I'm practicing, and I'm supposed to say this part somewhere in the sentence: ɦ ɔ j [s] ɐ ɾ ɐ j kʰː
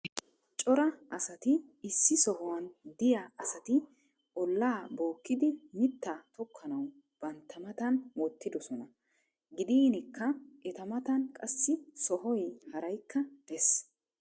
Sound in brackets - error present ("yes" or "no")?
yes